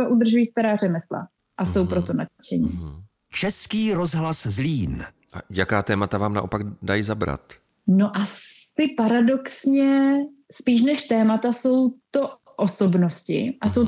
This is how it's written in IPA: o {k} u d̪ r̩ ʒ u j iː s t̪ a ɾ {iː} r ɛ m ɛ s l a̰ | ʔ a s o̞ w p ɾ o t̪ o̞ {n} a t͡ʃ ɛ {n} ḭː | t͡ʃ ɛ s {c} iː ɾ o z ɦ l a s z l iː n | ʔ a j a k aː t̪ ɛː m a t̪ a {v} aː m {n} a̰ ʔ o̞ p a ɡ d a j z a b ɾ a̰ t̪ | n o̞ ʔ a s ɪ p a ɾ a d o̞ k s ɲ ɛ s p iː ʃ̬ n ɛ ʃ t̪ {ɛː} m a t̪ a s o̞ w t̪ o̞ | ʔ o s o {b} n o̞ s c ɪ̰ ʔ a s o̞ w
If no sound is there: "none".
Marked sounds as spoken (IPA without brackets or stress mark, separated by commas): ʔ, aː, n, ɲ, k, v, n, ɛː, b